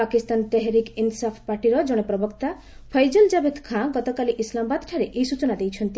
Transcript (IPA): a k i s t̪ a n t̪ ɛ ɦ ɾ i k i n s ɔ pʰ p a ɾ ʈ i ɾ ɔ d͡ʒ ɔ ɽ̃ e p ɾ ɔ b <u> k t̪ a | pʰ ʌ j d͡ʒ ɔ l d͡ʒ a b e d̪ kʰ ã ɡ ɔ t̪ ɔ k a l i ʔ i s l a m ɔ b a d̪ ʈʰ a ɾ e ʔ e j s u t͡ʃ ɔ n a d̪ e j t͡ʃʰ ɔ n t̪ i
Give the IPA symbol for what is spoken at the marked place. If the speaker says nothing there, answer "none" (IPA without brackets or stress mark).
ɔ